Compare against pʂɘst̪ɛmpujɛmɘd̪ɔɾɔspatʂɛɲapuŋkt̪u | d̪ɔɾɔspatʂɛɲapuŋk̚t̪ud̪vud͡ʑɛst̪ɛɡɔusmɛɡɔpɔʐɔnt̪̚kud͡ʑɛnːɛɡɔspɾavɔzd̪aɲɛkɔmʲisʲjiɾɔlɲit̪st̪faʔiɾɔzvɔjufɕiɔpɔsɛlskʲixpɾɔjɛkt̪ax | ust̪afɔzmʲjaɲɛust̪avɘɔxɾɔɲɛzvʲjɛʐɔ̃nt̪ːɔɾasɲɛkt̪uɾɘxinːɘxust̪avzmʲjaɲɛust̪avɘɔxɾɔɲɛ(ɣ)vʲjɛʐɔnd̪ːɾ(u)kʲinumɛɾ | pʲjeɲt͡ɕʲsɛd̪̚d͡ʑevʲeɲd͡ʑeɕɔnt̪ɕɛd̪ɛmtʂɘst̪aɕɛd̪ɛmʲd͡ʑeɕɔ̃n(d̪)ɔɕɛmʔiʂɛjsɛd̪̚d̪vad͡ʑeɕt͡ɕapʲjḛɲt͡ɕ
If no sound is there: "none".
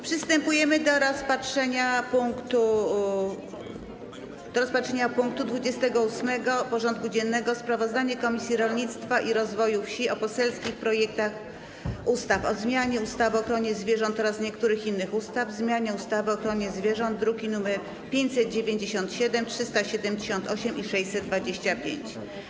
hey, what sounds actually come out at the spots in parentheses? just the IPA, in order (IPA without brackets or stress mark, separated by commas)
z, u, t̪